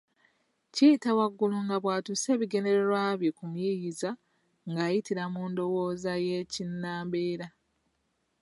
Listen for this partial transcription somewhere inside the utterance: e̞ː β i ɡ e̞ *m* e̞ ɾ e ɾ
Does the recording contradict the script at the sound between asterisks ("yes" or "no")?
yes